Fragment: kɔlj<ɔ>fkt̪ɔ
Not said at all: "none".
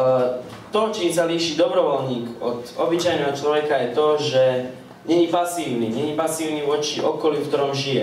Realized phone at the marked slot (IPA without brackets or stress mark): u